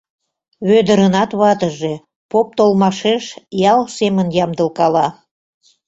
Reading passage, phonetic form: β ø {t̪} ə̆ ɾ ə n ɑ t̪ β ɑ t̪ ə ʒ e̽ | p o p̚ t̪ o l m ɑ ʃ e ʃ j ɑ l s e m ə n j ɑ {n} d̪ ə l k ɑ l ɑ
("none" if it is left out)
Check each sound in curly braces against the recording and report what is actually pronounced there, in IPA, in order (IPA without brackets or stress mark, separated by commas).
d̪, m